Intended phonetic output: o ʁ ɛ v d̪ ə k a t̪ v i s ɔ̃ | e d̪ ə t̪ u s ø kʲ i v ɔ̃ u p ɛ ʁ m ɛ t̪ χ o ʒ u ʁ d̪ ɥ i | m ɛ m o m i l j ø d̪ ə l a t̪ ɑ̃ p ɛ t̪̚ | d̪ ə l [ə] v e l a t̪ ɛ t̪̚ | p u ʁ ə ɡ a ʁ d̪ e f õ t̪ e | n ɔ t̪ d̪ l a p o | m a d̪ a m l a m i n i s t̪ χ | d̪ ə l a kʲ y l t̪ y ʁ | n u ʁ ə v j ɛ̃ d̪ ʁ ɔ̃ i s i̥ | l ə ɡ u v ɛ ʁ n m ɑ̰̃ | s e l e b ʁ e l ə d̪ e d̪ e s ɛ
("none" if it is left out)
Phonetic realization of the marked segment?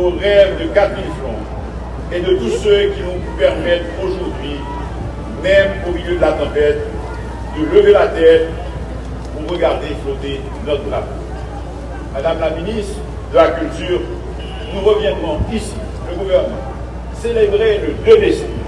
ə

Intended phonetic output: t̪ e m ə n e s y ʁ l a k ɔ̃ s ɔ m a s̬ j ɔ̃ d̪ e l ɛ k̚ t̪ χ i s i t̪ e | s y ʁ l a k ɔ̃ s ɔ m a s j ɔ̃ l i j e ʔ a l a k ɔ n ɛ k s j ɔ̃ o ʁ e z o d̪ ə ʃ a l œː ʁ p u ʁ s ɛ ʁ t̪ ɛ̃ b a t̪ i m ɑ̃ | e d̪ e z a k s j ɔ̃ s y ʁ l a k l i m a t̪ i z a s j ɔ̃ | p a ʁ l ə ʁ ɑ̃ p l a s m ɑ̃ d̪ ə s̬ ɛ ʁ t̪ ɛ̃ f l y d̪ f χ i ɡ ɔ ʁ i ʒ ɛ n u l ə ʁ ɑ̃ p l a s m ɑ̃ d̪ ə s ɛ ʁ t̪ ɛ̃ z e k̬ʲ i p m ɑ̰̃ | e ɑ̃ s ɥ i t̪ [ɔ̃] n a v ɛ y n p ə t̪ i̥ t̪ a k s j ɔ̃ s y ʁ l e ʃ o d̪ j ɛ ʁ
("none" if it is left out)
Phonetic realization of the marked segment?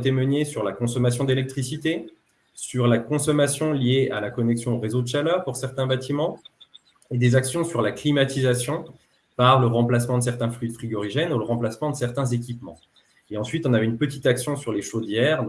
ɔ̃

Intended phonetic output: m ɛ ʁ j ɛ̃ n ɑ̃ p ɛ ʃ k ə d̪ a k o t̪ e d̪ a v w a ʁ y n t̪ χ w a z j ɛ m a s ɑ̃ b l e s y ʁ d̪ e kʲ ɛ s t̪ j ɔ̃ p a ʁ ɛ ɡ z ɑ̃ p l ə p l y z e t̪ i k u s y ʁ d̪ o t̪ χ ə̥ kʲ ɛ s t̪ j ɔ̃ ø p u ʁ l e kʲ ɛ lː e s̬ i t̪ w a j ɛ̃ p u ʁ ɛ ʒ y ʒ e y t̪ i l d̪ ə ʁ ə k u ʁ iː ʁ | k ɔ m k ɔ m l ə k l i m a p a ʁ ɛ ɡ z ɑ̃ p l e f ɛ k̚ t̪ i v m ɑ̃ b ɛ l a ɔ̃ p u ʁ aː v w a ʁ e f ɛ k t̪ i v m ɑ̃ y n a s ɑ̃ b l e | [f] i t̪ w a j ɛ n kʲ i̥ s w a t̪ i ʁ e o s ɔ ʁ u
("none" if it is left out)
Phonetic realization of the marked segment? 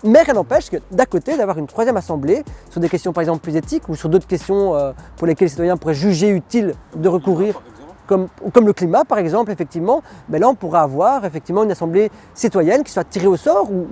s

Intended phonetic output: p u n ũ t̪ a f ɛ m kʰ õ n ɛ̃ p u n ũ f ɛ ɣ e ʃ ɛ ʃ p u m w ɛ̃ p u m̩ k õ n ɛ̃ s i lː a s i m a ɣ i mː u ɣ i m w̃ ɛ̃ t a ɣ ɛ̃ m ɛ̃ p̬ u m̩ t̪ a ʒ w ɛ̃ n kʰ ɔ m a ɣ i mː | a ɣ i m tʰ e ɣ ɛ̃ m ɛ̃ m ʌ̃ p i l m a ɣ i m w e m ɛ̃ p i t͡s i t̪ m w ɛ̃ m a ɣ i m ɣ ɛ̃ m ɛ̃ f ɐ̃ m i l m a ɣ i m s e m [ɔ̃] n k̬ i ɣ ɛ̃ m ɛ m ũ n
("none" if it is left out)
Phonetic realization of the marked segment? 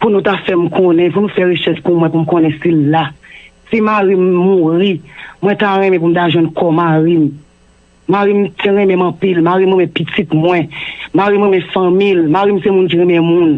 ũ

